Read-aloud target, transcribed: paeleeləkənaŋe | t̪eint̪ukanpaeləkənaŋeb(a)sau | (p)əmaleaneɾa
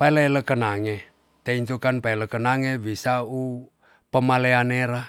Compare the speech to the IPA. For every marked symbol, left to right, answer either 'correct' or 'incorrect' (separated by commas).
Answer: incorrect, correct